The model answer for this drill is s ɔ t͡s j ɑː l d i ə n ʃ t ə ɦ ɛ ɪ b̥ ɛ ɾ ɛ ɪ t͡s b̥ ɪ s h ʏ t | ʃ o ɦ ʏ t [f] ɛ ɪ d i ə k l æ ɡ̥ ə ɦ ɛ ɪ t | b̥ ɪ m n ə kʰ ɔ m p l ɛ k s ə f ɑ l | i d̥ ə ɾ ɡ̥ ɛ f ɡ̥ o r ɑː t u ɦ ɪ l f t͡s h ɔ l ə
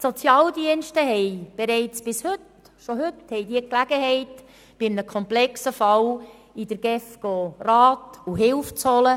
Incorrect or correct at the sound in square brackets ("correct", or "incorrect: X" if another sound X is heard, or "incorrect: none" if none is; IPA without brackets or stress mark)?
incorrect: h